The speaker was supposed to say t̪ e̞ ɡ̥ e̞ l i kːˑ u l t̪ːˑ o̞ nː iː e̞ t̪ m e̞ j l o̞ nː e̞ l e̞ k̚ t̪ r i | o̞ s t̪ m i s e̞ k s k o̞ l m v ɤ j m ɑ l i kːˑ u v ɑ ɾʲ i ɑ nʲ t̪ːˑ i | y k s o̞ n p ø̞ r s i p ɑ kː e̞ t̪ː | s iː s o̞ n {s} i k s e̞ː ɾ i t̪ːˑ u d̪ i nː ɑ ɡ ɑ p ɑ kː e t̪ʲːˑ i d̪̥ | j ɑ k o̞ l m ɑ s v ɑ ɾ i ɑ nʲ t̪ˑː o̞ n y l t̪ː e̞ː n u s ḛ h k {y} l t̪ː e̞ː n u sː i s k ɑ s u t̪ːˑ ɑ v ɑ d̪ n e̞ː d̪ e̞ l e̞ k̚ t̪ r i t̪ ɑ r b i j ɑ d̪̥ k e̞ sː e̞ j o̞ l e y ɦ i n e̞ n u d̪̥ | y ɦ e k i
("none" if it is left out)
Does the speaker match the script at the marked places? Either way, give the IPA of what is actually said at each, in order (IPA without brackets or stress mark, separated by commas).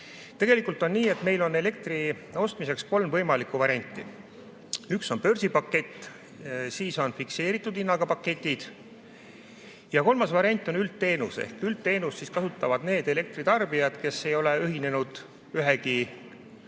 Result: f, y